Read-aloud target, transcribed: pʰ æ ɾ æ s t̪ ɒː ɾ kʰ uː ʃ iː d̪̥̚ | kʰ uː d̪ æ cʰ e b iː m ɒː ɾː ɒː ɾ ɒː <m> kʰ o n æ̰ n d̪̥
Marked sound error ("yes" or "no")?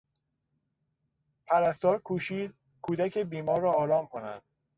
no